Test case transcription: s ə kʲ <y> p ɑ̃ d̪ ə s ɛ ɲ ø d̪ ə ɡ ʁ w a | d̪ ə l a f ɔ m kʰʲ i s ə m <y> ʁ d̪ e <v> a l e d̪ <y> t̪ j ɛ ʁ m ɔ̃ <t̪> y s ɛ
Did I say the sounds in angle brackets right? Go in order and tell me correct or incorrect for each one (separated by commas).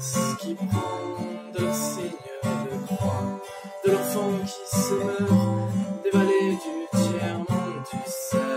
incorrect, incorrect, correct, correct, incorrect